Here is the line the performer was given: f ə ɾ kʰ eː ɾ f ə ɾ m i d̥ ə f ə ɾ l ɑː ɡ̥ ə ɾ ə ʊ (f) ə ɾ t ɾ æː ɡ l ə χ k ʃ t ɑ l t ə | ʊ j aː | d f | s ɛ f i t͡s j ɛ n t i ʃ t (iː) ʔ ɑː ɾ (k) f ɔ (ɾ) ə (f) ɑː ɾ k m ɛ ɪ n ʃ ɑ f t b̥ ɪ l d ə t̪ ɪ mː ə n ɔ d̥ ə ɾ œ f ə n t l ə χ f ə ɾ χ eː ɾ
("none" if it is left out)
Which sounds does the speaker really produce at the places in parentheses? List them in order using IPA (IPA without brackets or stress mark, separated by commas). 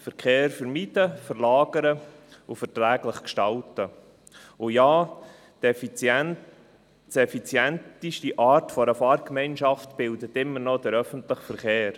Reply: f, i, t, ɾ, f